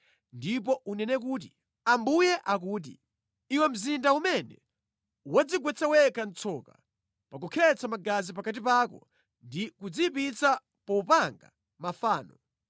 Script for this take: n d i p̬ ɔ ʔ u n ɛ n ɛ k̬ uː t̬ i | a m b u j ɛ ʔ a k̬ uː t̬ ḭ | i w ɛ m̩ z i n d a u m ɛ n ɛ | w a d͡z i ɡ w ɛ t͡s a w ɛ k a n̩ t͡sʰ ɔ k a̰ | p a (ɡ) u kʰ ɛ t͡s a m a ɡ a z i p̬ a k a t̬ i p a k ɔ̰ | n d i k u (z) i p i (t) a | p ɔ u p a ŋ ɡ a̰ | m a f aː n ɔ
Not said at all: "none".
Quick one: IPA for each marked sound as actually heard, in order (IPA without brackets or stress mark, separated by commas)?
k, d͡z, t͡s